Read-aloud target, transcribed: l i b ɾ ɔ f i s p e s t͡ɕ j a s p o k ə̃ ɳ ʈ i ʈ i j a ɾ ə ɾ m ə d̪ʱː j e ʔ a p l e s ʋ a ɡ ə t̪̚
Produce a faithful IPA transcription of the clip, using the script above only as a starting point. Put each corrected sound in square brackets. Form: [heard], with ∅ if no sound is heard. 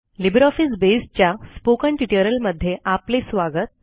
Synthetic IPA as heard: l i b ɾ ɔ f i s [b] e s t͡ɕ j a s p o k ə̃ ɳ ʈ i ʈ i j [ə] ɾ ə [l] m ə d̪ʱː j e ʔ a p l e s ʋ a ɡ ə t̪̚